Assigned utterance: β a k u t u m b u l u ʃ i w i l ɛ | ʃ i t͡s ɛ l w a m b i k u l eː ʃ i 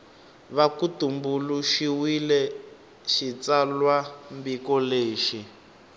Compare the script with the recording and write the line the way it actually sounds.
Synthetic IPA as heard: β a k u t u m b u l u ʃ i w i l ɛ | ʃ i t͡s a l w a m b i k ɔ l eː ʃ i